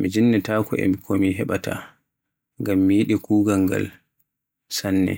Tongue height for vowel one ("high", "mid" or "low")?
high